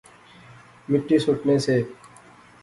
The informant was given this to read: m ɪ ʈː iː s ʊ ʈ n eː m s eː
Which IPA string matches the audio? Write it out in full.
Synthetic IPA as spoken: m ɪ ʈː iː s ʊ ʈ n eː s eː

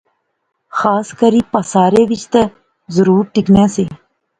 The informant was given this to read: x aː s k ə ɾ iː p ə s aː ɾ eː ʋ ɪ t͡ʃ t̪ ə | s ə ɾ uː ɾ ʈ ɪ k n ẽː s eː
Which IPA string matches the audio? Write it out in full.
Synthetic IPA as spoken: x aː s k ə ɾ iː p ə s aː ɾ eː ʋ ɪ t͡ʃ t̪ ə | z ə ɾ uː ɾ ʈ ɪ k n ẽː s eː

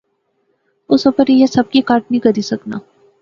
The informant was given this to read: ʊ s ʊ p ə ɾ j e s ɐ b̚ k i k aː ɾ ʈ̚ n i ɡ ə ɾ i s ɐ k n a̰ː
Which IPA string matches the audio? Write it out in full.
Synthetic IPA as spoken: ʊ s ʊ p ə ɾ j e s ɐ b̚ k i k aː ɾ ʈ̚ n i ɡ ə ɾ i s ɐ k n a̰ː

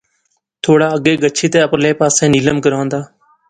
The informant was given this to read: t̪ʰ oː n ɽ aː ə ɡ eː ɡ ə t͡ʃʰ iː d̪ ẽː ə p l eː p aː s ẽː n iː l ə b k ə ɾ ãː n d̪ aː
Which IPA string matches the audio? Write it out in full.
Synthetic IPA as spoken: t̪ʰ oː ɽ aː ə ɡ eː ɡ ə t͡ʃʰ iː t̪ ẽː ə p l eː p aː s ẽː n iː l ə m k ə ɾ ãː n d̪ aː

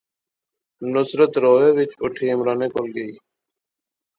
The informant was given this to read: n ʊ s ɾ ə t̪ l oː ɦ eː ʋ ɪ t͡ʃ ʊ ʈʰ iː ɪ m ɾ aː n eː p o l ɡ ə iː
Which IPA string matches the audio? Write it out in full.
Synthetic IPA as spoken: n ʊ s ɾ ə t̪ ɾ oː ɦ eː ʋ ɪ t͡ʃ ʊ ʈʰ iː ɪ m ɾ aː n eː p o l ɡ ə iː

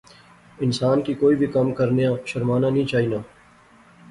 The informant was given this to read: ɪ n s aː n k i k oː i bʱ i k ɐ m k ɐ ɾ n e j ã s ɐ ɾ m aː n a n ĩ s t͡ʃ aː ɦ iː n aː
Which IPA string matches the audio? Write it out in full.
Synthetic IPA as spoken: ɪ n s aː n k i k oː i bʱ i k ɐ m k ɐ ɾ n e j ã ʃ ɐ ɾ m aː n a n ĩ t͡ʃ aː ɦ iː n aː

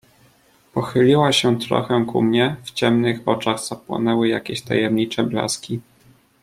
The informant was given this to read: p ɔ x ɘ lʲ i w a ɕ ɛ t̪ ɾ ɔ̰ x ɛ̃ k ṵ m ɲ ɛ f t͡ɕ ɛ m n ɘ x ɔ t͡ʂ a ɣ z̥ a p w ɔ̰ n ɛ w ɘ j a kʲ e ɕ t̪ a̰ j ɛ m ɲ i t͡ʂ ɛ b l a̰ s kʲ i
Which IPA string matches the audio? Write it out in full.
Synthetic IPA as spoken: p ɔ x ɘ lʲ i w a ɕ ɛ t̪ ɾ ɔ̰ x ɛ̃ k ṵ m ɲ ɛ f t͡ɕ ɛ m n ɘ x ɔ t͡ʂ a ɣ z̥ a p w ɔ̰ n ɛ w ɘ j a kʲ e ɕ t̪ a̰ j ɛ m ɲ i t͡ʂ ɛ b l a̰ s kʲ i

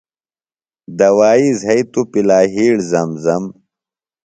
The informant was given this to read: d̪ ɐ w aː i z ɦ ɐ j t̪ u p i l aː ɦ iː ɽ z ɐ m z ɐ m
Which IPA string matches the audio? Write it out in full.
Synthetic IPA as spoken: d̪ ɐ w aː i z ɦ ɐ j t̪ u p i l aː ɦ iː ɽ z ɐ m z ɐ m

